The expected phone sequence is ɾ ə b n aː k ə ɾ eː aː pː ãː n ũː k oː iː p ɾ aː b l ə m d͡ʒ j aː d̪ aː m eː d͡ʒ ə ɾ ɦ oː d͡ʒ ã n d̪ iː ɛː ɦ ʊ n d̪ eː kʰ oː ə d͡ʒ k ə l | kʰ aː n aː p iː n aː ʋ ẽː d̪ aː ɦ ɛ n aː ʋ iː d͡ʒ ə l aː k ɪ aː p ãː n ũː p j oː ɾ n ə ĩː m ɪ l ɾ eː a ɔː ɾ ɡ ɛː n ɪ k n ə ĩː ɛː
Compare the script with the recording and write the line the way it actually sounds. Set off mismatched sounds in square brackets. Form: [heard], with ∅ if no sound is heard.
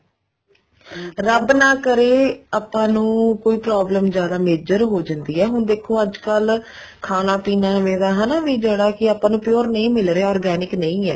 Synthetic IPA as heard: ɾ ə b n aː k ə ɾ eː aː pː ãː n ũː k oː iː p ɾ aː b l ə m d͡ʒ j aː d̪ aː m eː d͡ʒ ə ɾ ɦ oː d͡ʒ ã n d̪ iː ɛː ɦ ʊ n d̪ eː kʰ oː ə d͡ʒ k ə l | kʰ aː n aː p iː n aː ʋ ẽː d̪ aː ɦ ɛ n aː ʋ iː d͡ʒ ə [ɽ] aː k ɪ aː p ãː n ũː p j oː ɾ n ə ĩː m ɪ l ɾ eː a ɔː ɾ ɡ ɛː n ɪ k n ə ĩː ɛː